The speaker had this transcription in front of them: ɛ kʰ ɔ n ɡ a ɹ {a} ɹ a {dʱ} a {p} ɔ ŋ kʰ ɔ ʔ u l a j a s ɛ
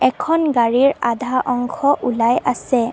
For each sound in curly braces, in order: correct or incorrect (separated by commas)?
incorrect, correct, incorrect